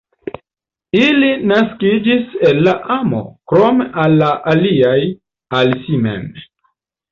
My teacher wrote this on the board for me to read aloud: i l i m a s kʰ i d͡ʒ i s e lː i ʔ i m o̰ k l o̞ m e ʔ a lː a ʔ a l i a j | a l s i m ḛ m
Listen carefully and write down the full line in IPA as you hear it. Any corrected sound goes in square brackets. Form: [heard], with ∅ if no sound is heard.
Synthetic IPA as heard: i l i [n] a s [k] i d͡ʒ i s e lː [a] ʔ [a] m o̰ k [ɾ] o̞ m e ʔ a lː a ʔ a l i a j | a l s i m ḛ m

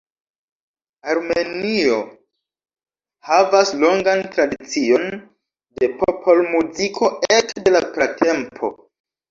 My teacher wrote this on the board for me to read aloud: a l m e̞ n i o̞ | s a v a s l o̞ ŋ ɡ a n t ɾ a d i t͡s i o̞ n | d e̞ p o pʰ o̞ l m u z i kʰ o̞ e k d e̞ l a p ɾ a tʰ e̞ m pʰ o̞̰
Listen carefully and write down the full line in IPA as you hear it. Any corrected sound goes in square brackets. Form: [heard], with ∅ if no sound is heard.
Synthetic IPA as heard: a [ɾ] m e̞ n i o̞ | [h] a v a s l o̞ ŋ ɡ a n t ɾ a d i t͡s i o̞ n | d e̞ p o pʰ o̞ l m u z i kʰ o̞ e k d e̞ l a p ɾ a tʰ e̞ m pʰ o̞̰

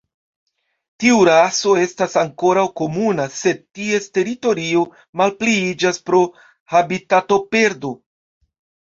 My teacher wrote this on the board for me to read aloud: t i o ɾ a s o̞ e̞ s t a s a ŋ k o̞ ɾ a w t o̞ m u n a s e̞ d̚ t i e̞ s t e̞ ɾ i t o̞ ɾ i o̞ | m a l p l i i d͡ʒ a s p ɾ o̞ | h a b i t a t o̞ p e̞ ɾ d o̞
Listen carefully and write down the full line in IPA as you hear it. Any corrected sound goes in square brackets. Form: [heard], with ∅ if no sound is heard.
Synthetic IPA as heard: t i [u] ɾ a s o̞ e̞ s t a s a ŋ k o̞ ɾ a w [k] o̞ m u n a s e̞ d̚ t i e̞ s t e̞ ɾ i t o̞ ɾ i o̞ | m a l p l i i d͡ʒ a s p ɾ o̞ | h a b i t a t o̞ p e̞ ɾ d o̞

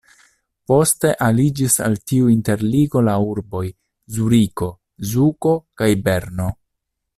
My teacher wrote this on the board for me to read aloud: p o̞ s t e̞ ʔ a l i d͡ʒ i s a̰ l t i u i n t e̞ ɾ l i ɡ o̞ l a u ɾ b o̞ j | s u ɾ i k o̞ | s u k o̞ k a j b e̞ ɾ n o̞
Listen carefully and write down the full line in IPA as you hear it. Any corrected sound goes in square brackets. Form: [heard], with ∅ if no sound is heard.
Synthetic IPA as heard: p o̞ s t e̞ ʔ a l i d͡ʒ i s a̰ l t i u i n t e̞ ɾ l i ɡ o̞ l a u ɾ b o̞ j | [z] u ɾ i k o̞ | [z] u k o̞ k a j b e̞ ɾ n o̞

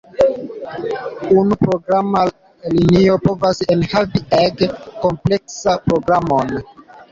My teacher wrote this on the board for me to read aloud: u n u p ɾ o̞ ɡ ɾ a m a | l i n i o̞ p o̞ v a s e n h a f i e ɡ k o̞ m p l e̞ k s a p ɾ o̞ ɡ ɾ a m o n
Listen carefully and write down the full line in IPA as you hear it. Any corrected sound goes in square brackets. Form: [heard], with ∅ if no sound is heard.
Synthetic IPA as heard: u n u p ɾ o̞ ɡ ɾ a m a | l i n i o̞ p o̞ v a s e n h a [v] i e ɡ k o̞ m p l e̞ k s a p ɾ o̞ ɡ ɾ a m o n

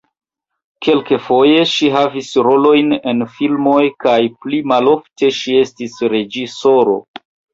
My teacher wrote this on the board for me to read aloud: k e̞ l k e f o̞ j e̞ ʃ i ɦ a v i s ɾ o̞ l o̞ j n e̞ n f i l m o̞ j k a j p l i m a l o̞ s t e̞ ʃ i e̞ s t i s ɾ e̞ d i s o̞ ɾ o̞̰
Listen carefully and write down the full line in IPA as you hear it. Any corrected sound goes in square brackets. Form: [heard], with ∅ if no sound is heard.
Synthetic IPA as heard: k e̞ l k e f o̞ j e̞ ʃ i ɦ a v i s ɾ o̞ l o̞ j n e̞ n f i l m o̞ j k a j p l i m a l o̞ [f] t e̞ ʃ i e̞ s t i s ɾ e̞ [d͡ʒ] i s o̞ ɾ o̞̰

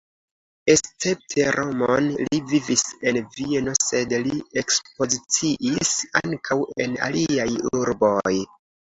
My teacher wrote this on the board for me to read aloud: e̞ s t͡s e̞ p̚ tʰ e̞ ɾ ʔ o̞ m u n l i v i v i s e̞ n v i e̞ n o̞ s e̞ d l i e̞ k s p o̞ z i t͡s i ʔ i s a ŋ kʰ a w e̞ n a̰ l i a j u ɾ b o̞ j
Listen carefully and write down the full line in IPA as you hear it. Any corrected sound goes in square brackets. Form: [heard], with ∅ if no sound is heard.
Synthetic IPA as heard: e̞ s t͡s e̞ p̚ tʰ e̞ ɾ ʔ o̞ m [o] n l i v i v i s e̞ n v i e̞ n o̞ s e̞ d l i e̞ k s p o̞ z i t͡s i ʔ i s a ŋ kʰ a w e̞ n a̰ l i a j u ɾ b o̞ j

